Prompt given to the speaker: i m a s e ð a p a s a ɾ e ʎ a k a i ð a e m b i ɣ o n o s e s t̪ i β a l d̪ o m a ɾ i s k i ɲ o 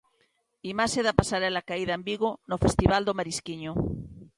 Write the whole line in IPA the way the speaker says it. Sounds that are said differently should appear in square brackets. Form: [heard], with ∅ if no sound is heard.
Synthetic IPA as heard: i m a s e ð a p a s a ɾ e [l] a k a i ð a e m b i ɣ o n o [f] e s t̪ i β a l d̪ o m a ɾ i s k i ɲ o

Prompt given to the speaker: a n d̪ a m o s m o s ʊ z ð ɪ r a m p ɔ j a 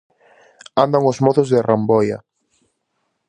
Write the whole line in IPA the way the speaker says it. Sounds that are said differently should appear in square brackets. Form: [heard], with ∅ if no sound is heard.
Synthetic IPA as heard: a n d̪ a [ŋ] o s m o [θ] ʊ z ð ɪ r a m [b] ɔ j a

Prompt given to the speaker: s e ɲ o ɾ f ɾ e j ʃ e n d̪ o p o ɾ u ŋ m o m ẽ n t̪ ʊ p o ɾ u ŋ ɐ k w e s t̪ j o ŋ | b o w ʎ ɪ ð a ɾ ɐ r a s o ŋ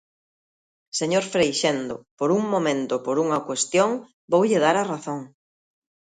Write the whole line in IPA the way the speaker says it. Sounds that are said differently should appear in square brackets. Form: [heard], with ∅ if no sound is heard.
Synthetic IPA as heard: s e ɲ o ɾ f ɾ e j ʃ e n d̪ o p o ɾ u ŋ m o m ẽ n t̪ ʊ p o ɾ u ŋ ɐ k w e s t̪ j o ŋ | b o w ʎ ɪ ð a ɾ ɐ r a [θ] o ŋ

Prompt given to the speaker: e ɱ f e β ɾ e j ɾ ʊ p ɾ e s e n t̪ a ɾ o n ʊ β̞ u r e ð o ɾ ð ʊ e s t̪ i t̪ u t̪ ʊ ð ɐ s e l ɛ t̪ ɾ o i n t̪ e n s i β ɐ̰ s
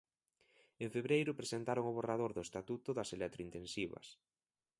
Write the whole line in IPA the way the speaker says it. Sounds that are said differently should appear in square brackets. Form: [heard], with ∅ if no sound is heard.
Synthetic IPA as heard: e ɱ f e β ɾ e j ɾ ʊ p ɾ e s e n t̪ a ɾ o [ŋ] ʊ β̞ [o] r [a] ð o ɾ ð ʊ e s t̪ [a] t̪ u t̪ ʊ ð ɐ s e l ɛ t̪ ɾ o i n t̪ e n s i β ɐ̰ s

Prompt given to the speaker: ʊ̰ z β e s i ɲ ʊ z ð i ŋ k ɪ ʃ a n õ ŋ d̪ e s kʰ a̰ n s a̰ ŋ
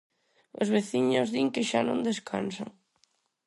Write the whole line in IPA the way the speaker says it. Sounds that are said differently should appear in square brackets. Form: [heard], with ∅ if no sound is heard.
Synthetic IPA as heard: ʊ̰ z β e [θ] i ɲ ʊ z ð i ŋ k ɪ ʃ a n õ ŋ d̪ e s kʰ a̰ n s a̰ ŋ

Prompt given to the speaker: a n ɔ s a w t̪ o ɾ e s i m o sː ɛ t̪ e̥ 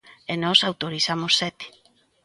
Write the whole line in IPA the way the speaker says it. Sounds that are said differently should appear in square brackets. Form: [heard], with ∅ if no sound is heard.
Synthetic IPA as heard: [e] n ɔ s a w t̪ o ɾ [i] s [a] m o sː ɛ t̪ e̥

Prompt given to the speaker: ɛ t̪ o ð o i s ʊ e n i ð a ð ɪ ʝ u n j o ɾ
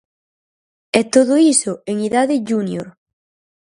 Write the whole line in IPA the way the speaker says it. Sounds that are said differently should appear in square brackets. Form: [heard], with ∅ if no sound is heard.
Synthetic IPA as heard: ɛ t̪ o ð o i s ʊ e [ŋ] i ð a ð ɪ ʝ u n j o ɾ

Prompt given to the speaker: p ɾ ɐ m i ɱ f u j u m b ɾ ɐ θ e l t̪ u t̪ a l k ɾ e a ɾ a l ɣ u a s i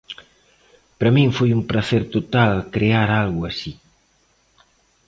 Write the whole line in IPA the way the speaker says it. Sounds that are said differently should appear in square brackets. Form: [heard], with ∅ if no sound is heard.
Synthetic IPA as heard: p ɾ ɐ m i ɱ f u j u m [p] ɾ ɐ θ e [ɾ] t̪ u t̪ a l k ɾ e a ɾ a l ɣ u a s i

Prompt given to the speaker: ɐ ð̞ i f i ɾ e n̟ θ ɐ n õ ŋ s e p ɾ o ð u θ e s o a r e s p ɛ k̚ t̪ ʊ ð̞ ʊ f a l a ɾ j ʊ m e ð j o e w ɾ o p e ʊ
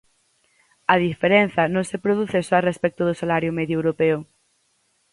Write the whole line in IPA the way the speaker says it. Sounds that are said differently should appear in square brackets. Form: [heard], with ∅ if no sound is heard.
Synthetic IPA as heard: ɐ ð̞ i f [e] ɾ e n̟ θ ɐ n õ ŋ s e p ɾ o ð u θ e s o a r e s p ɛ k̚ t̪ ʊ ð̞ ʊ [s] a l a ɾ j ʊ m e ð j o e w ɾ o p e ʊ

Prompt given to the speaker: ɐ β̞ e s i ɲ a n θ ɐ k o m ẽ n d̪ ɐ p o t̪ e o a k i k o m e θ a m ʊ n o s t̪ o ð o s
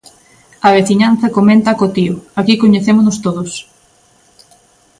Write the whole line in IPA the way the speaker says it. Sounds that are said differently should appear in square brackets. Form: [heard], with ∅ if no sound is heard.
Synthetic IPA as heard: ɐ β̞ e [θ] i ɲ a n θ ɐ k o m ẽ n [t̪] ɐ [k] o t̪ [i] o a k i k o [ɲ] e θ [e] m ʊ n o s t̪ o ð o s

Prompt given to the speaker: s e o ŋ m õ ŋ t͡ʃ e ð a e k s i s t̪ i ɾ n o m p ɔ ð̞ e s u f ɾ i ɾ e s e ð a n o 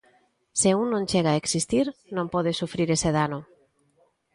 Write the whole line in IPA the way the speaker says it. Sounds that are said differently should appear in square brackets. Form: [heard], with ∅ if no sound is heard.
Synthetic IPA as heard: s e [u] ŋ [n] õ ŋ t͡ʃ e [ɣ] a e k s i s t̪ i ɾ n [õ] m p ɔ ð̞ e s u f ɾ i ɾ e s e ð a n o

